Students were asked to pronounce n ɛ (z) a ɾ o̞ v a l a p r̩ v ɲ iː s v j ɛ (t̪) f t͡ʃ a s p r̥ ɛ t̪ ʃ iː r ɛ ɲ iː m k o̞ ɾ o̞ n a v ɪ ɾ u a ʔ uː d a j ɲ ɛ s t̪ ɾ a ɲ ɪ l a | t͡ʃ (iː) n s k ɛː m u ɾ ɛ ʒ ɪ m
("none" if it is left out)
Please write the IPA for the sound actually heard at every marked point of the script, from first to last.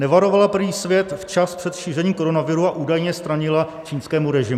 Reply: v, t̪, iː

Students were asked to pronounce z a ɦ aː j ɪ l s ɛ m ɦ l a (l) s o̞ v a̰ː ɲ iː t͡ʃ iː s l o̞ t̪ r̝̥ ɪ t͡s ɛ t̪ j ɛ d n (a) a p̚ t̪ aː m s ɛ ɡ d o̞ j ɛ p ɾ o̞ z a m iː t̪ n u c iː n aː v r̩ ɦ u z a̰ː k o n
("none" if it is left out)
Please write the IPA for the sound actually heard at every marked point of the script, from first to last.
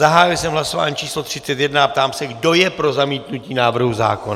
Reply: none, a

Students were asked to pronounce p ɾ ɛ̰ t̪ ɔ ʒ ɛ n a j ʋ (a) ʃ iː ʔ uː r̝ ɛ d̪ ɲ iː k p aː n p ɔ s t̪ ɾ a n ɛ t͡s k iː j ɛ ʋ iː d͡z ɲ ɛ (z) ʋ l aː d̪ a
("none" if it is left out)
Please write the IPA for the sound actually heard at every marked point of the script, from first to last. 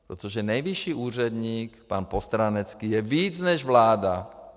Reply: i, ʒ

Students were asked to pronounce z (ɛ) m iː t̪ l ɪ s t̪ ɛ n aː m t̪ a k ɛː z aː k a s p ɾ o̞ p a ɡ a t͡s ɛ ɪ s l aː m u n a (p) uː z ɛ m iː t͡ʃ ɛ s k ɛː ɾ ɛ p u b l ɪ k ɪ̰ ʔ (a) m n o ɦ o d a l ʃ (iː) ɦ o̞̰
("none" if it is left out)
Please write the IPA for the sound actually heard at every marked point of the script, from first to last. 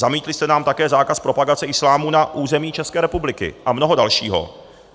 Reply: a, ʔ, a, iː

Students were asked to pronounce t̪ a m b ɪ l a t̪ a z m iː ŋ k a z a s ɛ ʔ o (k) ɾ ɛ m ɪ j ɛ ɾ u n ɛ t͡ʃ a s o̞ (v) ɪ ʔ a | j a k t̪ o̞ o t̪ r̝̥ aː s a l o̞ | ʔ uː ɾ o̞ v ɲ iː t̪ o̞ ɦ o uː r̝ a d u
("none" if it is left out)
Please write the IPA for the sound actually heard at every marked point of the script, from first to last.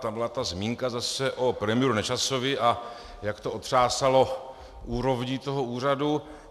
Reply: p, v

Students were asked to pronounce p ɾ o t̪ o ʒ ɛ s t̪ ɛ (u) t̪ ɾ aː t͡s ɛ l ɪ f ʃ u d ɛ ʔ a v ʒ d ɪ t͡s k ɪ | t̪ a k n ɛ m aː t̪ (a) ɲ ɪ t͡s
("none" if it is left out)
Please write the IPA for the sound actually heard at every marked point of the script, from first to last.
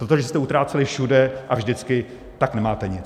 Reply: u, ɛ

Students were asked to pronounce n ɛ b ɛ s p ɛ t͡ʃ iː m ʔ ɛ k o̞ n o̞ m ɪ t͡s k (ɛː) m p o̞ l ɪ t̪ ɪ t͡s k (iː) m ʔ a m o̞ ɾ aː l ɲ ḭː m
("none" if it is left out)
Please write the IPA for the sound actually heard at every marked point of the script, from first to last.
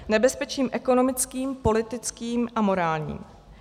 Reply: iː, iː

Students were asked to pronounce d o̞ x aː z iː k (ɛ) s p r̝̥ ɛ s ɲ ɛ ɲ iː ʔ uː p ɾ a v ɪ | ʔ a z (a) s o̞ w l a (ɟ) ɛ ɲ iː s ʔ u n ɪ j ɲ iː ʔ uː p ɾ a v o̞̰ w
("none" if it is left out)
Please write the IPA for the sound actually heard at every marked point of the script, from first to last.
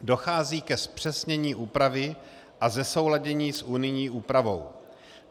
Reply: ɛ, ɛ, ɟ

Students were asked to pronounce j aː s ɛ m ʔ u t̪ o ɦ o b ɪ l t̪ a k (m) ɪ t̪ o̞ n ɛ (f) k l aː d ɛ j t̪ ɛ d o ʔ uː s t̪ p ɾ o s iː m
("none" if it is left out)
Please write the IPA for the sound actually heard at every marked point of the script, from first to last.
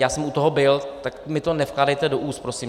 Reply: m, f

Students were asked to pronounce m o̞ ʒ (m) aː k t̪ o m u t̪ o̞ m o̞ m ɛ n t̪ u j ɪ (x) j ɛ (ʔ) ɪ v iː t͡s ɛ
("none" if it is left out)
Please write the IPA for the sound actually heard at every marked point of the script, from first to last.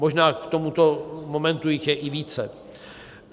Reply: n, x, ʔ

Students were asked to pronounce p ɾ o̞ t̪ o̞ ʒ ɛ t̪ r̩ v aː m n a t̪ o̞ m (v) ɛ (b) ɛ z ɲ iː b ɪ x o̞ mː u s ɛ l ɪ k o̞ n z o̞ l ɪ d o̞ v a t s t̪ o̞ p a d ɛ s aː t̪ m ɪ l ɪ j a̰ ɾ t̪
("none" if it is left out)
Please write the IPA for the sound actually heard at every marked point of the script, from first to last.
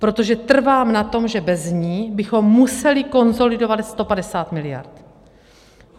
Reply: ʒ, b

